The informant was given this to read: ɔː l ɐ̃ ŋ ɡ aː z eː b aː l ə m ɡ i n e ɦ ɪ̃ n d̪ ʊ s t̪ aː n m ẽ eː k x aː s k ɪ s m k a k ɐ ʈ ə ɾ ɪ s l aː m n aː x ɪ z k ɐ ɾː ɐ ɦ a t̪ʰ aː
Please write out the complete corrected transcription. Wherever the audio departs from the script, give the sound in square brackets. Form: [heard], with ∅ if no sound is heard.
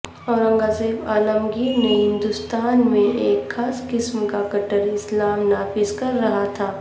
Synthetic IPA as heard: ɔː [ɾ] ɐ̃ ŋ ɡ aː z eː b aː l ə m ɡ i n e ɦ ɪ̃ n d̪ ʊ s t̪ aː n m ẽ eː k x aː s k ɪ s m k a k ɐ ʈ ə ɾ ɪ s l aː m n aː [f] ɪ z k ɐ ɾː ɐ ɦ a t̪ʰ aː

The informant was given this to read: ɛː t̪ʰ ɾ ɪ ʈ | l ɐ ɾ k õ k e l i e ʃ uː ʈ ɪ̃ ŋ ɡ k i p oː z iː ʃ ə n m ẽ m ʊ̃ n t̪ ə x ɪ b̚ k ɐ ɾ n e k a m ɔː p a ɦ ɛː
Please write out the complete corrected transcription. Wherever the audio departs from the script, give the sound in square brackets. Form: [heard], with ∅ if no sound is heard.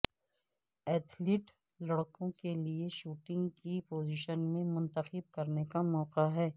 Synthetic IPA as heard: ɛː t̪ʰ [l] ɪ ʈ | l ɐ [ɽ] k õ k e l i e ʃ uː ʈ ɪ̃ ŋ ɡ k i p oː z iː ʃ ə n m ẽ m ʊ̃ n t̪ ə x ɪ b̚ k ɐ ɾ n e k a m ɔː [q] a ɦ ɛː

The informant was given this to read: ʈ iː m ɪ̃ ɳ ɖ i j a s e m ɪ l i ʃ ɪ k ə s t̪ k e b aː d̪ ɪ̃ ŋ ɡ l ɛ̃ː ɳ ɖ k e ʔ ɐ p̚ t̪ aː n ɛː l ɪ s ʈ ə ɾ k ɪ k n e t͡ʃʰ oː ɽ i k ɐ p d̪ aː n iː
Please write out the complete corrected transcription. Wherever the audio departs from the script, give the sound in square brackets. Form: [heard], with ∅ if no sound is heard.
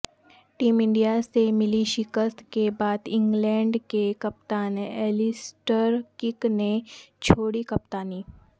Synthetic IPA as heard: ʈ iː m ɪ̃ ɳ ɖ i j a s e m ɪ l i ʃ ɪ k ə s t̪ k e b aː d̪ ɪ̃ ŋ ɡ l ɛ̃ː ɳ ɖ k e [k] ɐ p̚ t̪ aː n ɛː l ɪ s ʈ ə ɾ k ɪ k n e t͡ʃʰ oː ɽ i k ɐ p [t̪] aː n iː

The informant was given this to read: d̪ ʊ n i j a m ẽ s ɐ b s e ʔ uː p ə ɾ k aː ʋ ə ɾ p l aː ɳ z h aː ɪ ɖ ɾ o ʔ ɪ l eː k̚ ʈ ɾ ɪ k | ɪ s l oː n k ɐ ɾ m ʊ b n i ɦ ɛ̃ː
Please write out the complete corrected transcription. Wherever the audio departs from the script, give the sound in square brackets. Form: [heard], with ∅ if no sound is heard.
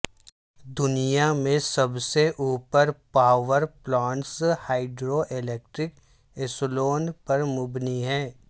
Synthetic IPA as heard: d̪ ʊ n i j a m ẽ s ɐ b s e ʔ uː p ə ɾ [p] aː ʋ ə ɾ p l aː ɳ [s] h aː ɪ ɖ ɾ o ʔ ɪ l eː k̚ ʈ ɾ ɪ k | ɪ s l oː n [p] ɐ ɾ m ʊ b n i ɦ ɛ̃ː

